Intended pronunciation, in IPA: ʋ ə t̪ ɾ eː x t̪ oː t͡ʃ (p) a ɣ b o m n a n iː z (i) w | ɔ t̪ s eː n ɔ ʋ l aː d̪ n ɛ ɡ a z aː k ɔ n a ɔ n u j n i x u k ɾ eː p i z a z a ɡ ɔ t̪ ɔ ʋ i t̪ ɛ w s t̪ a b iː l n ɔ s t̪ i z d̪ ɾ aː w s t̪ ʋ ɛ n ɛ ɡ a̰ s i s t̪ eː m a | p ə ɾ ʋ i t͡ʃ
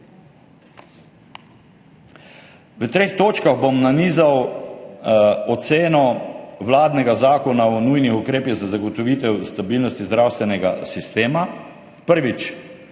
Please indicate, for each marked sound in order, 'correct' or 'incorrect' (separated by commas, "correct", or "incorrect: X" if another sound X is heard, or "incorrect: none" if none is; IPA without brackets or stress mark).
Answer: incorrect: k, incorrect: a